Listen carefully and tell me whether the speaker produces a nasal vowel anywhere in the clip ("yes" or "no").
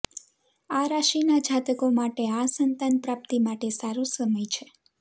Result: no